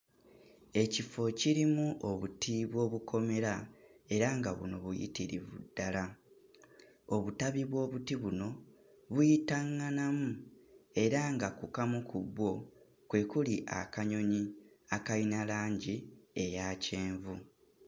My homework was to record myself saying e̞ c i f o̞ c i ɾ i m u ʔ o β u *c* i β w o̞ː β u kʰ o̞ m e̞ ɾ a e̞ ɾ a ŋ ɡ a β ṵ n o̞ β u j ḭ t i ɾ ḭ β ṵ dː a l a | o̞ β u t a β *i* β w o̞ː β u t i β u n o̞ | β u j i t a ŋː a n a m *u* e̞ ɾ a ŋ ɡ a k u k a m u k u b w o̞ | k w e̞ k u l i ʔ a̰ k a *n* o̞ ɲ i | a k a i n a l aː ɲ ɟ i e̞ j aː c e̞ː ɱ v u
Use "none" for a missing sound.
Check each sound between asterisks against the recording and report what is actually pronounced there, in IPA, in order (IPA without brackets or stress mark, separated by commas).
t, i, u, ɲ